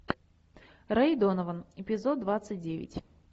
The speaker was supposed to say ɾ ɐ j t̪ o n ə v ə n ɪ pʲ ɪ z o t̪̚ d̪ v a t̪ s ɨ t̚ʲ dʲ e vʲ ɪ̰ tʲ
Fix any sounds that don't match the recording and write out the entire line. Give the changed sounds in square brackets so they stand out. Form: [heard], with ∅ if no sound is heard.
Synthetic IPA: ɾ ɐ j [d̪] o n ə v ə n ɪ pʲ ɪ z o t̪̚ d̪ v a t̪ s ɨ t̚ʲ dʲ e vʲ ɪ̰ tʲ